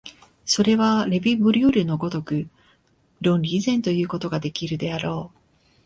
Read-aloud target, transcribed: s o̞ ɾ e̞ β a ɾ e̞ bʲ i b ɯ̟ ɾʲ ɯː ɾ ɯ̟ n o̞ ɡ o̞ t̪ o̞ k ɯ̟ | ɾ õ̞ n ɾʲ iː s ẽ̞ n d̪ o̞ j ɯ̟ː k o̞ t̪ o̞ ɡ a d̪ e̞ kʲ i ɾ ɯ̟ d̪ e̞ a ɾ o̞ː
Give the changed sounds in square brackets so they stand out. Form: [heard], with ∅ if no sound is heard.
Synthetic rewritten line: s o̞ ɾ e̞ β a ɾ e̞ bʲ i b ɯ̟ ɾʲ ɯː ɾ ɯ̟ n o̞ ɡ o̞ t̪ o̞ k ɯ̟ | ɾ õ̞ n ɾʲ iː [z] ẽ̞ n [t̪] o̞ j ɯ̟ː k o̞ t̪ o̞ ɡ a d̪ e̞ kʲ i ɾ ɯ̟ d̪ e̞ a ɾ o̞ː

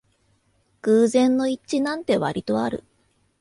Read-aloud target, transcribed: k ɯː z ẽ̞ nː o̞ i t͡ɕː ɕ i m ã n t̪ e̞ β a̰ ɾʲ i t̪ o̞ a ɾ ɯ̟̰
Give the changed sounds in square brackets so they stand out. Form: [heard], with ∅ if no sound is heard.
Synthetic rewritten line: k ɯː z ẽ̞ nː o̞ i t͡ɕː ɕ i [n] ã n t̪ e̞ β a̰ ɾʲ i t̪ o̞ a ɾ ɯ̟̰

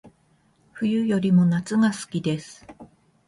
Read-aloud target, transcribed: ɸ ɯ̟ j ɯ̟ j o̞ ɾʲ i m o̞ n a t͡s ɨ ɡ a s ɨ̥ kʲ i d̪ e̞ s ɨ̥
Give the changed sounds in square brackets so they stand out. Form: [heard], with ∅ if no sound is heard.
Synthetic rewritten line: ɸ ɯ̟ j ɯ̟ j o̞ ɾʲ i m o̞ n a t͡s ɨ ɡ a s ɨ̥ kʲ i d̪ e̞ s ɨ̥

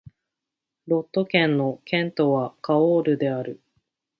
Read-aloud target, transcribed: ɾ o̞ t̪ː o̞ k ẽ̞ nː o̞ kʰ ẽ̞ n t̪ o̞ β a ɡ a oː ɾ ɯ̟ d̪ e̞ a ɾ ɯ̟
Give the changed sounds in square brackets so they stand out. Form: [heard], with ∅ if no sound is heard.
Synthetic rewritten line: ɾ o̞ t̪ː o̞ k ẽ̞ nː o̞ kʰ ẽ̞ n t̪ o̞ β a [k] a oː ɾ ɯ̟ d̪ e̞ a ɾ ɯ̟

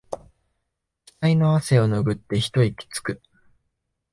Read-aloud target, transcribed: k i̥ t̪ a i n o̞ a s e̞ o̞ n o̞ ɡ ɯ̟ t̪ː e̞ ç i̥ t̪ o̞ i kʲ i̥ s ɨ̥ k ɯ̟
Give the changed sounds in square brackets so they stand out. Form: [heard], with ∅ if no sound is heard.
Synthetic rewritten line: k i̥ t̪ a i n o̞ a s e̞ o̞ n o̞ ɡ ɯ̟ t̪ː e̞ ç i̥ t̪ o̞ i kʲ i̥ [t͡s] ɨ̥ k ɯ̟

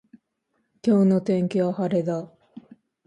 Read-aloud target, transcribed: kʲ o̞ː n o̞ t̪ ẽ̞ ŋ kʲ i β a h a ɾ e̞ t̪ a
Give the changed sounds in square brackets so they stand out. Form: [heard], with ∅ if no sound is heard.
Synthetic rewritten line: kʲ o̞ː n o̞ t̪ ẽ̞ ŋ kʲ i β a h a ɾ e̞ [d̪] a

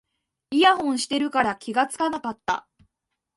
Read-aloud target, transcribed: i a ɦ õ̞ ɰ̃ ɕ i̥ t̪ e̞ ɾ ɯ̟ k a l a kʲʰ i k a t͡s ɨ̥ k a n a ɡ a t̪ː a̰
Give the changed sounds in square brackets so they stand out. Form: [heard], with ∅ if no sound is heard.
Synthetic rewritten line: i a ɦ õ̞ ɰ̃ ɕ i̥ t̪ e̞ ɾ ɯ̟ k a [ɾ] a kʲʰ i [ɡ] a t͡s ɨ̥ k a n a [k] a t̪ː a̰

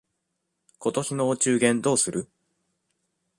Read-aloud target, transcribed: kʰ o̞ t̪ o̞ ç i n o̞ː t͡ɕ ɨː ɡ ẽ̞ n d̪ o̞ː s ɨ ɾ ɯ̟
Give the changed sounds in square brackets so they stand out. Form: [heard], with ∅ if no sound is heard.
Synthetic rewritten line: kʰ o̞ t̪ o̞ ç i n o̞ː t͡ɕ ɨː ɡ ẽ̞ n d̪ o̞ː s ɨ ɾ ɯ̟

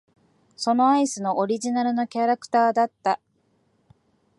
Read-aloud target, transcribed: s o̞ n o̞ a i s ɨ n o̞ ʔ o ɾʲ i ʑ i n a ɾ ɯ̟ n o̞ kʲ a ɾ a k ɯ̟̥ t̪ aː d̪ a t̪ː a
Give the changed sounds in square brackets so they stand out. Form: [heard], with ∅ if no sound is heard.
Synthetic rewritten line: s o̞ n o̞ a i s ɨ n o̞ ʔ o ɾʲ i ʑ i n a ɾ ɯ̟ n o̞ kʲ a ɾ a k ɯ̟̥ t̪ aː d̪ a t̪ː a

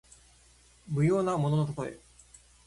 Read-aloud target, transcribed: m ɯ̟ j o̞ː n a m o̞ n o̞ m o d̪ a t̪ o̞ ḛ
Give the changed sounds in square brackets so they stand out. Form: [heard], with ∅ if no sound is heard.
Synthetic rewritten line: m ɯ̟ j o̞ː n a m o̞ n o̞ [n] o [t̪] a t̪ o̞ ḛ

